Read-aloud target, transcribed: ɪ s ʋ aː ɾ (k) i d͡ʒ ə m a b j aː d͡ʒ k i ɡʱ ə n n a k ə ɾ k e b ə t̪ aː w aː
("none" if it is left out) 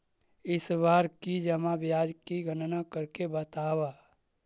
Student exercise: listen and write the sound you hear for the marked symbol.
k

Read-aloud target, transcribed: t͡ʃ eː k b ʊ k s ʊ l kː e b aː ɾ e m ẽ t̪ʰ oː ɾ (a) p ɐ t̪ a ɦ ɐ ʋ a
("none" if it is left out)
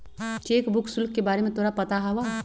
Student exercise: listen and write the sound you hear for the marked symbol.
a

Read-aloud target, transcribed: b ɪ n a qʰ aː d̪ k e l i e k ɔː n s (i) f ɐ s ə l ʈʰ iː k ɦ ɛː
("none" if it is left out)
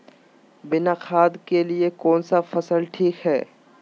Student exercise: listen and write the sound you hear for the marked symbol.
a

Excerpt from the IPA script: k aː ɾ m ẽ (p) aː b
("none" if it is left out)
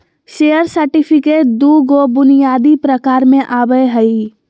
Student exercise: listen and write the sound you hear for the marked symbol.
ʔ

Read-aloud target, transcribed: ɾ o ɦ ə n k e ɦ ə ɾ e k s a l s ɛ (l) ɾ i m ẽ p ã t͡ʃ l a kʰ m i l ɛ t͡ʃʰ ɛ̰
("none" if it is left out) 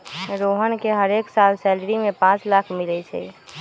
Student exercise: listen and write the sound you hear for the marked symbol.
l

